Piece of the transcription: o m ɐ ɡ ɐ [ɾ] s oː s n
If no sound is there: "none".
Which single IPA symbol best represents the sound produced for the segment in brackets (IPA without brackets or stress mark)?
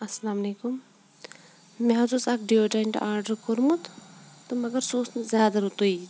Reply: ɾ